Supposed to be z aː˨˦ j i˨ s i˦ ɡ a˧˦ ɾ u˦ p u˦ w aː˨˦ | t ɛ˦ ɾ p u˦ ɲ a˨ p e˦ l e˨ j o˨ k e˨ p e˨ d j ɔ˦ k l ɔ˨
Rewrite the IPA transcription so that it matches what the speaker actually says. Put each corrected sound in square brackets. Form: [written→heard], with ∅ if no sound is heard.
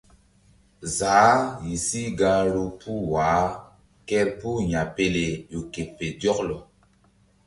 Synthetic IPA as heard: z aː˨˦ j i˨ s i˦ ɡ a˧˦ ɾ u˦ p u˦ w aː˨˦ | [t→k] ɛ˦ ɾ p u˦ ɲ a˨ p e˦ l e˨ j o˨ k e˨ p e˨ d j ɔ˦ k l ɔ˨